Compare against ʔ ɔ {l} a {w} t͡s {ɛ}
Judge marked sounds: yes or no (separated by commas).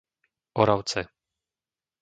no, yes, yes